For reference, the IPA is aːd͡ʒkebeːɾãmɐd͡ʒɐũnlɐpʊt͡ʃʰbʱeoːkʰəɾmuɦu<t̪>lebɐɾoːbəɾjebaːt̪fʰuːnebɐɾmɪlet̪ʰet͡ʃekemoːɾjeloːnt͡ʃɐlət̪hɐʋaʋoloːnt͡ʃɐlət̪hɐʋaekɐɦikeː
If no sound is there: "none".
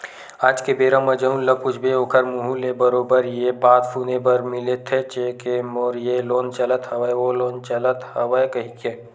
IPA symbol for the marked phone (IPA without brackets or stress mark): none